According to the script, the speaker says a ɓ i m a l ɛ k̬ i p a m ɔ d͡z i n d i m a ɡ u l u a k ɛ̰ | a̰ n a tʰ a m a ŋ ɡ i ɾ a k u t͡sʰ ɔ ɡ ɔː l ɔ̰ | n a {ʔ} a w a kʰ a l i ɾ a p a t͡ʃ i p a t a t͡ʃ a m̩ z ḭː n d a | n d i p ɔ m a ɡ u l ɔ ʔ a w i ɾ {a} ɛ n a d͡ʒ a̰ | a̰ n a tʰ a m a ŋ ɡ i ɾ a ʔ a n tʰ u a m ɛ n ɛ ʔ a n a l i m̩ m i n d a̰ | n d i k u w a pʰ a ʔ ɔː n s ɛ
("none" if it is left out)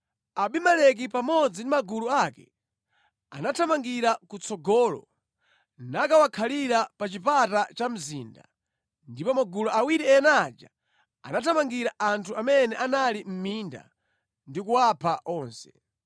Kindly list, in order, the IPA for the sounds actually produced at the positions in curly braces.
k, i

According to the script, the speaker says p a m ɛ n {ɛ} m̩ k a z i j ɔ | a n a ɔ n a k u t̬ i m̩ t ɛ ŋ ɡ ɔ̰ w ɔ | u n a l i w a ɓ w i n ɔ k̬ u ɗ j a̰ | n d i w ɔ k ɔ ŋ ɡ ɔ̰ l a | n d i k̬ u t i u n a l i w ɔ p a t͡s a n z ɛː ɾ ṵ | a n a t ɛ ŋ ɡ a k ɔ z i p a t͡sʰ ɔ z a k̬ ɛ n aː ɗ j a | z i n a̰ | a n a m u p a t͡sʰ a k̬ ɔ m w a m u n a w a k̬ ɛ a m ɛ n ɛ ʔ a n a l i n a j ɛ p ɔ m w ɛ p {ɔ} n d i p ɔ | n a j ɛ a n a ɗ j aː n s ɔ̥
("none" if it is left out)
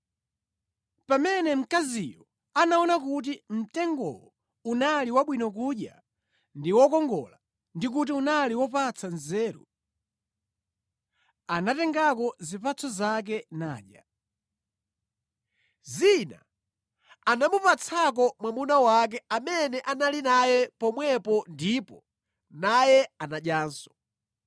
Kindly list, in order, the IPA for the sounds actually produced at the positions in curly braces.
ɛ, ɔ

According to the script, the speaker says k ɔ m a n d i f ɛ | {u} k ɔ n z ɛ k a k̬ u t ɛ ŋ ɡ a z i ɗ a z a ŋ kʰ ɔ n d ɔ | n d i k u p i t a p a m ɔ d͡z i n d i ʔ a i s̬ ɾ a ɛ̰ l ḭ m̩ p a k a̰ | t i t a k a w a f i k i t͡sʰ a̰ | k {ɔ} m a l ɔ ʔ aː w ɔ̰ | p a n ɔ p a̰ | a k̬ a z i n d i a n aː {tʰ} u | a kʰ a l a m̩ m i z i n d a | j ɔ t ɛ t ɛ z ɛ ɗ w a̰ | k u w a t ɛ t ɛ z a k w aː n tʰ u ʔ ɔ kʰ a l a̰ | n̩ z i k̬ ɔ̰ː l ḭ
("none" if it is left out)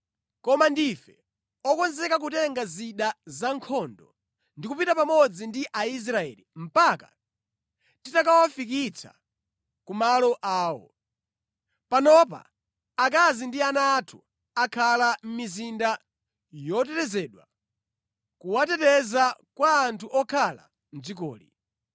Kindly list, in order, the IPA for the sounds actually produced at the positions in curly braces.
ɔ, u, tʰ

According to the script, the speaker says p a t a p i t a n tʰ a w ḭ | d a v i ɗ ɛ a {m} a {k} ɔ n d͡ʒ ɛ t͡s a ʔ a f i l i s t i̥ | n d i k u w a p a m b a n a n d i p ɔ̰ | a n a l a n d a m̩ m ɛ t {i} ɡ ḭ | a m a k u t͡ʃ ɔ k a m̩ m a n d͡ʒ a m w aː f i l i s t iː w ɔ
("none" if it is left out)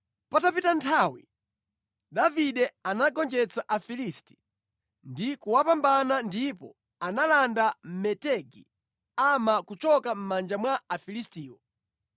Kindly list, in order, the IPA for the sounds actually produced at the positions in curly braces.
n, ɡ, ɛ

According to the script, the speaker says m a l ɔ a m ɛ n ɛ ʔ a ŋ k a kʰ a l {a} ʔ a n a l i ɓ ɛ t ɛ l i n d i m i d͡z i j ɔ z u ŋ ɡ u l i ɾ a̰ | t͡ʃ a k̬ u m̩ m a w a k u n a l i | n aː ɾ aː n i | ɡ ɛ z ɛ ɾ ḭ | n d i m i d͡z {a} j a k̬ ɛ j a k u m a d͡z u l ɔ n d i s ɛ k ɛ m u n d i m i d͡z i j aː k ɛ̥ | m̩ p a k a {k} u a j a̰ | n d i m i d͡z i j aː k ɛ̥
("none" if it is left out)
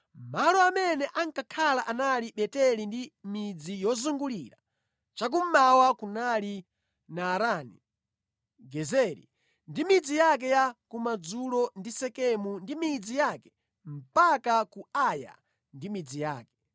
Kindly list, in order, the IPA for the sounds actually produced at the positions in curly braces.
a, i, k

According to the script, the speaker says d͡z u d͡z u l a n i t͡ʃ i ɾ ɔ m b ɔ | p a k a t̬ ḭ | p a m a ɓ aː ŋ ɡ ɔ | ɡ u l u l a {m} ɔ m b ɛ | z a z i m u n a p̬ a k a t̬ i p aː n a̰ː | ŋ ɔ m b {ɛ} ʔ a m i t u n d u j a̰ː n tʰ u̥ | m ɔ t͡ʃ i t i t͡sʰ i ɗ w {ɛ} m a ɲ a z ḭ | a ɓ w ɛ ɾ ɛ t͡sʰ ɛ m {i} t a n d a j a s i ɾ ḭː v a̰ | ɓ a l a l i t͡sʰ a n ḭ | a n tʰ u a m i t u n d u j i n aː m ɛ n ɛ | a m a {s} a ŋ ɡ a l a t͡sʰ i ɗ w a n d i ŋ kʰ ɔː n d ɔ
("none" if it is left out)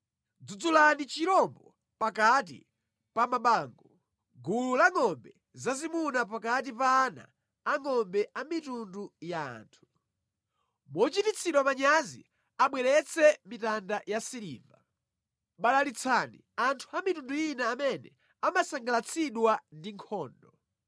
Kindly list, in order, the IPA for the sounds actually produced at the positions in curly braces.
ŋ, ɛ, a, i, s

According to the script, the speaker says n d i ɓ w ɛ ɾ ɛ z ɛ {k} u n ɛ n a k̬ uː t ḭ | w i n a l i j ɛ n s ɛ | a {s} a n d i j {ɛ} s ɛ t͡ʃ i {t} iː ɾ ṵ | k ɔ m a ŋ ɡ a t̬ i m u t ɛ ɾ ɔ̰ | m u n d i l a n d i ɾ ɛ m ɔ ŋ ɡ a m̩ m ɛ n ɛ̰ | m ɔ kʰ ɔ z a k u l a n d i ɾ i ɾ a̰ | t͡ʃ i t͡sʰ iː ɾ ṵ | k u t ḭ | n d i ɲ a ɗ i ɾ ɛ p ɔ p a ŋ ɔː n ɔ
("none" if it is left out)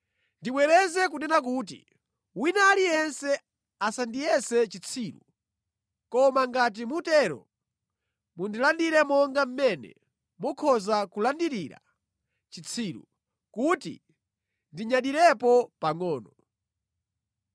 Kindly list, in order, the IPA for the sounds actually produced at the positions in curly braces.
k, s, ɛ, t͡sʰ

